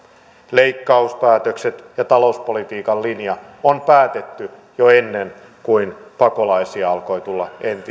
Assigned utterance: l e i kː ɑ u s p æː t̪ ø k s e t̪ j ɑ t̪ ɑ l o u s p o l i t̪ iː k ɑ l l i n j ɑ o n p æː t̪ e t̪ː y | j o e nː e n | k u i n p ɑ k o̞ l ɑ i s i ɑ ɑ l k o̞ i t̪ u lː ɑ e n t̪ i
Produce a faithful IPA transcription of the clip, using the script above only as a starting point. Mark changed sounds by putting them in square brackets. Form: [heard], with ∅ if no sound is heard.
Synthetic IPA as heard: l e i kː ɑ u s p æː t̪ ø k s e t̪ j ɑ t̪ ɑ l o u s p o l i t̪ iː k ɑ l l i n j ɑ o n p æː t̪ e t̪ː y | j o e nː e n | k u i n p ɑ k o̞ l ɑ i s i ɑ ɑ l k o̞ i t̪ u lː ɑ e n t̪ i